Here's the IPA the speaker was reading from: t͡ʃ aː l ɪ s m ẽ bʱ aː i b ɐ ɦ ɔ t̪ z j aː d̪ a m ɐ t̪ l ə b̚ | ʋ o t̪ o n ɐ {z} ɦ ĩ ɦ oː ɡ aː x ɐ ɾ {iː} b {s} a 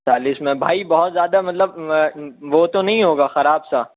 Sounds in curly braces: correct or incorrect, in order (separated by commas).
incorrect, incorrect, correct